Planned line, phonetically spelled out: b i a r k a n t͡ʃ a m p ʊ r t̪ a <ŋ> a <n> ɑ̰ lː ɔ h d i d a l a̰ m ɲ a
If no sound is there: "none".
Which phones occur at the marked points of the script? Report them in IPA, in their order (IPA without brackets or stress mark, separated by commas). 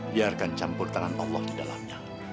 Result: ŋ, n